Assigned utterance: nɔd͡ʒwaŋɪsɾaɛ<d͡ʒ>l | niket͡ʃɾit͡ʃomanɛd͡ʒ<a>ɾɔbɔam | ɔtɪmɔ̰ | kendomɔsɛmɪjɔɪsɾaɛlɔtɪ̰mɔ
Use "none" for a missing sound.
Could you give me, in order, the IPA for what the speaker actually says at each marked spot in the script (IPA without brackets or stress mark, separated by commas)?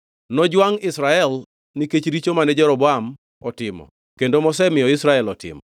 none, ɛ